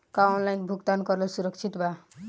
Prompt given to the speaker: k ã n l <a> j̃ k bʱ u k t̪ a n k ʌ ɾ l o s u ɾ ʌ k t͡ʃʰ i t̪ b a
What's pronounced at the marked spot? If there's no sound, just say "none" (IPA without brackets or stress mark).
a